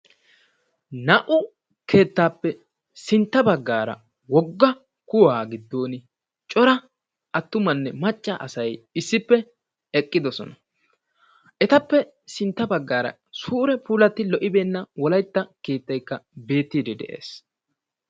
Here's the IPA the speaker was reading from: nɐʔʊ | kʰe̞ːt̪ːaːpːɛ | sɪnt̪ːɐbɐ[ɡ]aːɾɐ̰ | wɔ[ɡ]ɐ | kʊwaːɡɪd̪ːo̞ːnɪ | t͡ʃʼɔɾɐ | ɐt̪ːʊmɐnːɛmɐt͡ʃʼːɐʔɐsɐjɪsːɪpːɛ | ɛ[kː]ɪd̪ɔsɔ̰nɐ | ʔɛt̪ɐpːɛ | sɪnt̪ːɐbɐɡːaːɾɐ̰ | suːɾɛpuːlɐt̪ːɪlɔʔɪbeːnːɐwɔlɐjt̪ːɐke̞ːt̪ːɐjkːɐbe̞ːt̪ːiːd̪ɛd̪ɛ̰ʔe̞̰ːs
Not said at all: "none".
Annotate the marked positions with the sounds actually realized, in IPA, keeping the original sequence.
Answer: ɡː, ɡː, kʼː

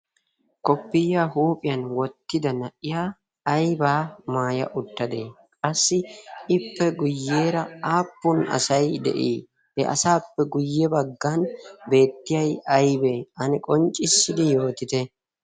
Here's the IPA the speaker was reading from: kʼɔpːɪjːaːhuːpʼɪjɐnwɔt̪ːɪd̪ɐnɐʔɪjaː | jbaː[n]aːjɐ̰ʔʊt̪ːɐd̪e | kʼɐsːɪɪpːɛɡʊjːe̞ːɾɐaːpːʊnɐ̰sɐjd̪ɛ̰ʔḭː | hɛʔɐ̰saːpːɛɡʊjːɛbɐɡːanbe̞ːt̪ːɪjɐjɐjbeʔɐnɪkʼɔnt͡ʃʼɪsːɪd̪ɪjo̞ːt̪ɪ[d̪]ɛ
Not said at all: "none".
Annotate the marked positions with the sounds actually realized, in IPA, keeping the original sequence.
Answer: m, t̪

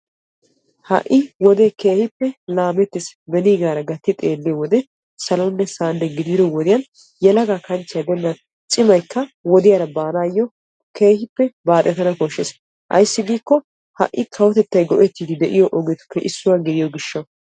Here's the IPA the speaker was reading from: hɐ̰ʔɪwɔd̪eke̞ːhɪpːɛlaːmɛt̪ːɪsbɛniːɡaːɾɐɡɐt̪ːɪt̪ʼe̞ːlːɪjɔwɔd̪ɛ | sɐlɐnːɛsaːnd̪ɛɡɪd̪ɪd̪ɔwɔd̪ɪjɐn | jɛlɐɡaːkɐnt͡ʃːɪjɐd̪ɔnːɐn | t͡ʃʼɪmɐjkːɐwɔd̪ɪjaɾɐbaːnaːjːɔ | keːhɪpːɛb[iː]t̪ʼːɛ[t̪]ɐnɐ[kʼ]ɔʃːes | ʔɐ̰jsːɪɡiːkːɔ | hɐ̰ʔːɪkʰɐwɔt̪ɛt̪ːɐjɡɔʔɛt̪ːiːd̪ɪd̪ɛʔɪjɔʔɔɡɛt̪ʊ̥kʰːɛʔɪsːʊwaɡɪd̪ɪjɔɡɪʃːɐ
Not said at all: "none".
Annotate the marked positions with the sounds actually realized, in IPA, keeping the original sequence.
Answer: aː, t̪, k

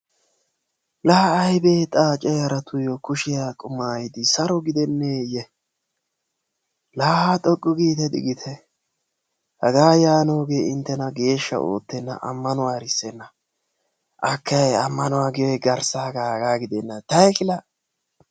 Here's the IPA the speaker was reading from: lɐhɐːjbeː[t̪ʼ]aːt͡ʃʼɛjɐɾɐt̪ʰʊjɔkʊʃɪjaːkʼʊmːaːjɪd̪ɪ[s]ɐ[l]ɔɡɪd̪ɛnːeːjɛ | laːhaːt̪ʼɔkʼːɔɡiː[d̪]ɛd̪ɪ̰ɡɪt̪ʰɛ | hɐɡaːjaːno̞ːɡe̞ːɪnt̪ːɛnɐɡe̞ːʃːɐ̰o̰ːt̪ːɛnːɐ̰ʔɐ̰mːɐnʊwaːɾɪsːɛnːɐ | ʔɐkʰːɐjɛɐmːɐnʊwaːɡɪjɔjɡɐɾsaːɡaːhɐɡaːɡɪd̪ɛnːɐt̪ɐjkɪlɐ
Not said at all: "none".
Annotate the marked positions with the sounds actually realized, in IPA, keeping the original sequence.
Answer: t̪ʼ, s, ɾ, t̪

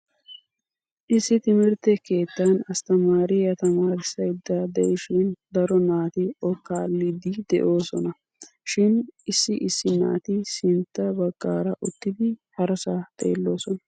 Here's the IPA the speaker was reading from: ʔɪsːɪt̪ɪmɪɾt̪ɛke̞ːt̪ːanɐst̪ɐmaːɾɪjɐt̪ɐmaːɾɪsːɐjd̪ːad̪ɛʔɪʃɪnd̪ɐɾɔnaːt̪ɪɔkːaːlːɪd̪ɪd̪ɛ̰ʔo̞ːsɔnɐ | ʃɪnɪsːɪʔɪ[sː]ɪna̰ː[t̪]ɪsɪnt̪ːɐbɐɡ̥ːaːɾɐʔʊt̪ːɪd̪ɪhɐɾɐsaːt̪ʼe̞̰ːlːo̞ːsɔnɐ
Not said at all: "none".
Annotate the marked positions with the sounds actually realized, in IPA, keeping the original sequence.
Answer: sː, t̪

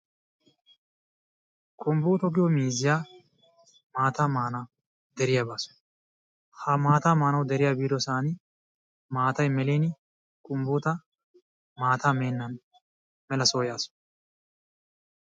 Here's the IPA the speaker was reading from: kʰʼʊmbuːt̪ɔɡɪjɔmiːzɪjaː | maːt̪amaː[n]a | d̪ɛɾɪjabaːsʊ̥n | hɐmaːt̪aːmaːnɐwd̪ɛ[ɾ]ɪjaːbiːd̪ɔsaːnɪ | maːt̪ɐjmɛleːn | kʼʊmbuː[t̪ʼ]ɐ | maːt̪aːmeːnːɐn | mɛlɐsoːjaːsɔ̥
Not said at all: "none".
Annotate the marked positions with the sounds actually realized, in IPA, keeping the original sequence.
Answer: n, ɾ, t̪

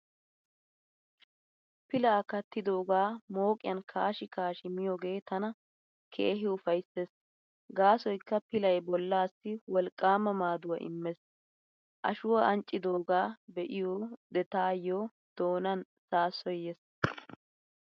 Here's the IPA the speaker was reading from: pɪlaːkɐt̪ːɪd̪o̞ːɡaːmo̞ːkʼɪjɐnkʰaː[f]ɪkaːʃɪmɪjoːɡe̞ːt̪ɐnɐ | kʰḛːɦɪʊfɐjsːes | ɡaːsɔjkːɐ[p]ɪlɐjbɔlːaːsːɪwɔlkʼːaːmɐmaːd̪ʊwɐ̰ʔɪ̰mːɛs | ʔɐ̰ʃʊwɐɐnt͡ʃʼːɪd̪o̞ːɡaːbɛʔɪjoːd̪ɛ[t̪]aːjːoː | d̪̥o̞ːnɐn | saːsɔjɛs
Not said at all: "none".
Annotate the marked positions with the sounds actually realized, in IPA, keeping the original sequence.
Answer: ʃ, p, t̪

